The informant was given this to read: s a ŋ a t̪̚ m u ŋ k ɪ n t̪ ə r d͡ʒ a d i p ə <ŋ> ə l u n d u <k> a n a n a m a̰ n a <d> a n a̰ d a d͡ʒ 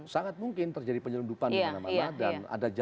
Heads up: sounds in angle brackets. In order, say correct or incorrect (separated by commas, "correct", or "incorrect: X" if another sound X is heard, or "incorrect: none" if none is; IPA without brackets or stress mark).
incorrect: ɲ, incorrect: p, correct